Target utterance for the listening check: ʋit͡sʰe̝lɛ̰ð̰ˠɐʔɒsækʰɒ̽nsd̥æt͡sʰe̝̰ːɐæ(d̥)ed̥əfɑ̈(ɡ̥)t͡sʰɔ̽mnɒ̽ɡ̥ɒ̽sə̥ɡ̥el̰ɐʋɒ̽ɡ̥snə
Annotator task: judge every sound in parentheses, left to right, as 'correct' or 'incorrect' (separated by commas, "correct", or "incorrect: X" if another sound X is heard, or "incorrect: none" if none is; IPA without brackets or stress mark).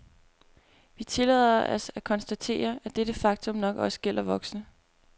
correct, correct